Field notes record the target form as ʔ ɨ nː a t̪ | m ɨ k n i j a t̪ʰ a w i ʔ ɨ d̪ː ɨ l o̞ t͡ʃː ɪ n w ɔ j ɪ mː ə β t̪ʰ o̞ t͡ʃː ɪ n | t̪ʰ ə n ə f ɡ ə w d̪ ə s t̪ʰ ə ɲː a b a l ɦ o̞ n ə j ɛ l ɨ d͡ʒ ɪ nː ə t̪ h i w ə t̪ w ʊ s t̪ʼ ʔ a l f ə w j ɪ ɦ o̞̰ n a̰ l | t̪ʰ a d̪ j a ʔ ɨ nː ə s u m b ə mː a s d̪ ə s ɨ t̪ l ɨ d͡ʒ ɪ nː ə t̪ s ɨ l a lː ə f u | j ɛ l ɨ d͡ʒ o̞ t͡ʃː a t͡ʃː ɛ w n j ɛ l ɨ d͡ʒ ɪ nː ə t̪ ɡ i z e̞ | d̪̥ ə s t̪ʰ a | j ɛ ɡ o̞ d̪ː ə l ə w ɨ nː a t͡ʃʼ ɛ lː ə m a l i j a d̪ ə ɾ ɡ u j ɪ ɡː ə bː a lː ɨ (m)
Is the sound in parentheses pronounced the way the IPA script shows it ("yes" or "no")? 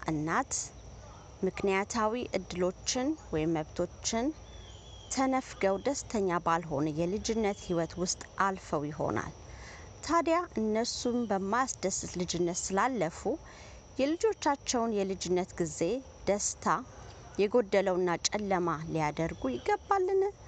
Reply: no